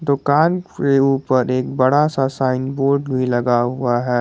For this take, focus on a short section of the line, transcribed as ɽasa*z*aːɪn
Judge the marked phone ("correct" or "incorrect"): incorrect